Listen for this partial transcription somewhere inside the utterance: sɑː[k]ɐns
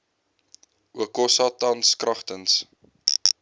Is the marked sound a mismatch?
yes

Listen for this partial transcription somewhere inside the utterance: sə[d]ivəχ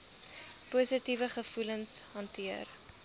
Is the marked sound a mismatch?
yes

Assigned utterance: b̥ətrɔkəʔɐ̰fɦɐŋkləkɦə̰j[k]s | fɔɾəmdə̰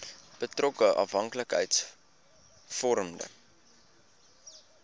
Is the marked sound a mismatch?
yes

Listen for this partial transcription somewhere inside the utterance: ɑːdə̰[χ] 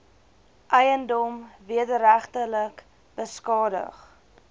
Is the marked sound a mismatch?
no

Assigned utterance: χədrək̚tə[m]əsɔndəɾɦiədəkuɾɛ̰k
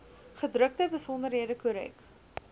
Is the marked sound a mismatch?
yes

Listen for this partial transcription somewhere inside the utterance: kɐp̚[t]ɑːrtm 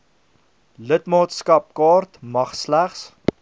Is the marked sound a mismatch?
yes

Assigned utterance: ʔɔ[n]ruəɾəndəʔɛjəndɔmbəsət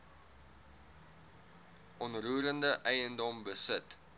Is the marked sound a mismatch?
no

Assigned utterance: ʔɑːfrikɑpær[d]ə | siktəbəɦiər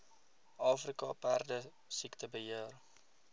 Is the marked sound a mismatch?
no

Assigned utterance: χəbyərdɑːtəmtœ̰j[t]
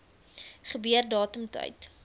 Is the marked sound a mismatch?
no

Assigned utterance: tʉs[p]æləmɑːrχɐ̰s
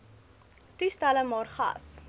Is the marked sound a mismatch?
yes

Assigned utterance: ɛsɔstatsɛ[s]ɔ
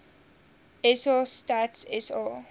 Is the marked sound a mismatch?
no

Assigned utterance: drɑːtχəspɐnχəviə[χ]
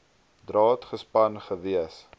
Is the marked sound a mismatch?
yes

